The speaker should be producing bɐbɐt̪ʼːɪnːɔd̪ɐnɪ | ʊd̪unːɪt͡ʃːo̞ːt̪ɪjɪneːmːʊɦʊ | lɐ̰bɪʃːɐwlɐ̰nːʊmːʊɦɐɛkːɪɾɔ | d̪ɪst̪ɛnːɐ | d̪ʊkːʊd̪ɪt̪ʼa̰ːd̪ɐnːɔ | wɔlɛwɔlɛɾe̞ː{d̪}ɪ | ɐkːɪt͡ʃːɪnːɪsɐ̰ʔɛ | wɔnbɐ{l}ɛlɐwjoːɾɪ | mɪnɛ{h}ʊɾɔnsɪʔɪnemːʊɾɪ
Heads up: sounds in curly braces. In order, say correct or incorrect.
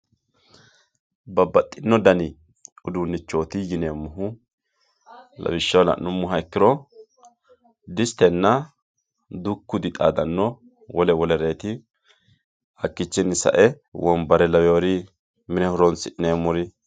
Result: incorrect: t̪, incorrect: ɾ, correct

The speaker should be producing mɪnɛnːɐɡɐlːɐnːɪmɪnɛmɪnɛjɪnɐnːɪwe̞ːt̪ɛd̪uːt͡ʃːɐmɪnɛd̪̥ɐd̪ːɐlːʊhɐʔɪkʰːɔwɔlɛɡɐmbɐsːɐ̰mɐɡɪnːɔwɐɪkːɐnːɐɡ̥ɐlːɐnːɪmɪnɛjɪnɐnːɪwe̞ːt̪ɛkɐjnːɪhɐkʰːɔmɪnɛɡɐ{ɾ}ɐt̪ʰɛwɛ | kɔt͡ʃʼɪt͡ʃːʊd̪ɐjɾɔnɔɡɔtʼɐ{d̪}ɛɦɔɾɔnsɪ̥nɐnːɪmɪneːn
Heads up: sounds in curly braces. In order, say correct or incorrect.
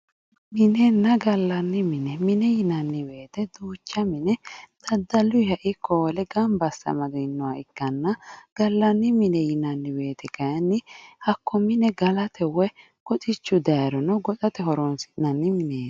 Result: incorrect: l, incorrect: t̪

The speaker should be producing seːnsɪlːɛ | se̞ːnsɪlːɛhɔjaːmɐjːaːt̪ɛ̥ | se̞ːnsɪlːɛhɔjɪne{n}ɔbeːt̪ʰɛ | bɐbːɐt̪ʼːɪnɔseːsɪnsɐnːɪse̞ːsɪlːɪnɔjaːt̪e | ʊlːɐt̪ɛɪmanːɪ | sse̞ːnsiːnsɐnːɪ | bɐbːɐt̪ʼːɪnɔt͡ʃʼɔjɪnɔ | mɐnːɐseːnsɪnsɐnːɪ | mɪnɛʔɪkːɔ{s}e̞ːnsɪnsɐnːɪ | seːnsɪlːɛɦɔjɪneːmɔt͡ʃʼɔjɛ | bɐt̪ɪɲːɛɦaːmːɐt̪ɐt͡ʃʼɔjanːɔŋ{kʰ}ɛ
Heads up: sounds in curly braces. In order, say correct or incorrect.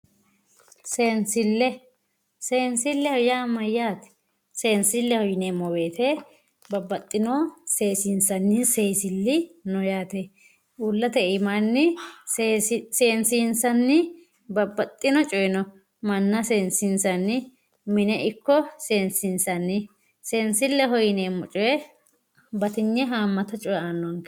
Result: incorrect: m, correct, incorrect: k

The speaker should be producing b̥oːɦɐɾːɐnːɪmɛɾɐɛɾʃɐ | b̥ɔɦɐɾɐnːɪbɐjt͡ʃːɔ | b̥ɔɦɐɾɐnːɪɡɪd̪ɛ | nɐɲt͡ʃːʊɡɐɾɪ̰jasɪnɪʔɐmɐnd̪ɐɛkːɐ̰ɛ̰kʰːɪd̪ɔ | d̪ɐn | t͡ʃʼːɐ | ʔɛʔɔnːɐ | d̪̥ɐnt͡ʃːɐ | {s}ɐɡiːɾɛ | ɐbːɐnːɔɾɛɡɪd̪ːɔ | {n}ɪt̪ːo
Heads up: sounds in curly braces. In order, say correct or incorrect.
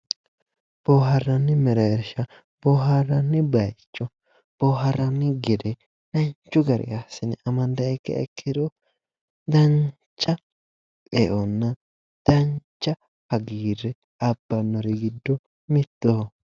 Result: incorrect: h, incorrect: m

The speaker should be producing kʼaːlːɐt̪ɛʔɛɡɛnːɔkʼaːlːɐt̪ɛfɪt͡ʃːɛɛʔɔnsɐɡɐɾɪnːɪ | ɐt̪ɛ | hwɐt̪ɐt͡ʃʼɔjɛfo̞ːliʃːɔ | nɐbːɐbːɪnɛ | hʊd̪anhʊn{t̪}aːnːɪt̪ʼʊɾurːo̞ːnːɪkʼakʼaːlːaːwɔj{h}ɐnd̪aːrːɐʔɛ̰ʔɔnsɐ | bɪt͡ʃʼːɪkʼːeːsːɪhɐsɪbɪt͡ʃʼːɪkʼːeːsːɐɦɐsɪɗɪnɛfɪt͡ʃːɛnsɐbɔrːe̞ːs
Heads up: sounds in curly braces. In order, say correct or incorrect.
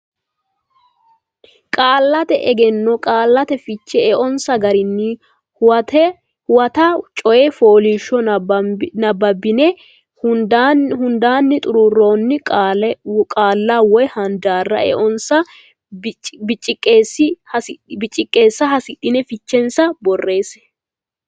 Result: incorrect: d̪, correct

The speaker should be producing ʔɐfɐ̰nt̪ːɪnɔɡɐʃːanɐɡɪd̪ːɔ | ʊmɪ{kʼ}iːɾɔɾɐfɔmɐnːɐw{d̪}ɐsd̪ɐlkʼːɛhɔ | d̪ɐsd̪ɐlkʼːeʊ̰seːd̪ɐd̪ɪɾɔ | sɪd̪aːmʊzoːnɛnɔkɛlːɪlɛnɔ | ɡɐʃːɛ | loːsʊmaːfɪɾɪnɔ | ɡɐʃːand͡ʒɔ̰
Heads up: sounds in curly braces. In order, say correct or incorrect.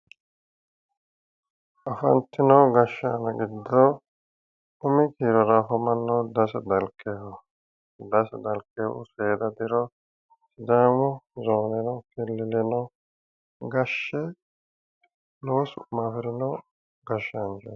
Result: incorrect: k, correct

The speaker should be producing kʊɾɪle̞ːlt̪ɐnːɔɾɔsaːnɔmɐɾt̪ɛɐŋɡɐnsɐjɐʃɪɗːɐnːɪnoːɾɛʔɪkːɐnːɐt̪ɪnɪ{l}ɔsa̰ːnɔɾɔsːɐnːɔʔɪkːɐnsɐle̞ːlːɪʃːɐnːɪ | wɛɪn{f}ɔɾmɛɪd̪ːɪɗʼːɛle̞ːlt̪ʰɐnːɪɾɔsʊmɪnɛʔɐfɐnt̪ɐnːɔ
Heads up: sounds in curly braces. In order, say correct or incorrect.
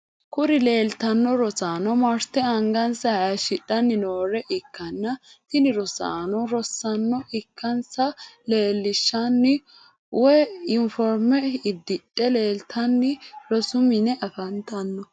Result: incorrect: ɾ, correct

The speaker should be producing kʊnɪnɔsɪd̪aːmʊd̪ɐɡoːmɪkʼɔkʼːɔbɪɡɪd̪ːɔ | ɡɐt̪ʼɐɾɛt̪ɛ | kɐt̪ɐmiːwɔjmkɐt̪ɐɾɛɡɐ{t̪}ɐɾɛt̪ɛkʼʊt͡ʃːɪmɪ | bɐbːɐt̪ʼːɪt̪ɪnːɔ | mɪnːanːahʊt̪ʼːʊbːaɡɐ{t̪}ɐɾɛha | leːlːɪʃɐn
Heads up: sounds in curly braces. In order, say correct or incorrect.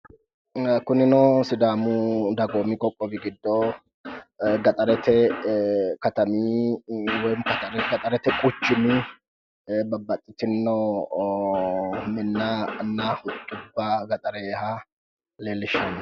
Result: incorrect: t̪ʼ, incorrect: t̪ʼ

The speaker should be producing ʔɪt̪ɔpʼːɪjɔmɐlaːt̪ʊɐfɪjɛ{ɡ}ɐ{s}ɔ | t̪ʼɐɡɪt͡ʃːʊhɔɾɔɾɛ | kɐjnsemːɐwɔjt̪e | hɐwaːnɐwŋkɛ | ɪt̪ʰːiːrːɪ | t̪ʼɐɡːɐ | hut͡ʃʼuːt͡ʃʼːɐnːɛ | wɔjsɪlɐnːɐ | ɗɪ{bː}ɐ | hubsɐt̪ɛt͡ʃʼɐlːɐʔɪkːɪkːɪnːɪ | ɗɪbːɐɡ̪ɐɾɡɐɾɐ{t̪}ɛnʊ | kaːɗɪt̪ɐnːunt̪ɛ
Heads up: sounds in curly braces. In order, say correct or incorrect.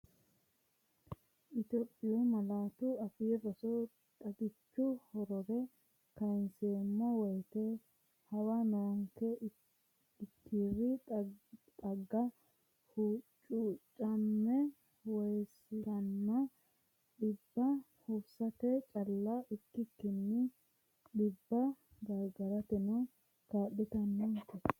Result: incorrect: b, correct, correct, correct

